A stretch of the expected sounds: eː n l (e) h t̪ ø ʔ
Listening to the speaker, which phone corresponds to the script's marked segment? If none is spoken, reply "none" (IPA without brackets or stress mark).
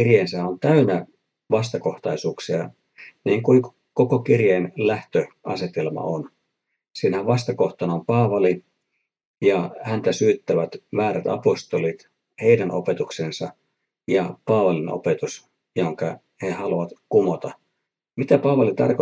æ